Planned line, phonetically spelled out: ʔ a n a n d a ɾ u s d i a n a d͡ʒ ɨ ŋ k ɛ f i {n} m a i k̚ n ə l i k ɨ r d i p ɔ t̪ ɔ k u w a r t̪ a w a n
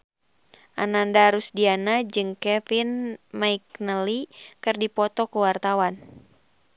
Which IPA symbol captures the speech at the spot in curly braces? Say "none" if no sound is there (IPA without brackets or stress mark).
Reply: n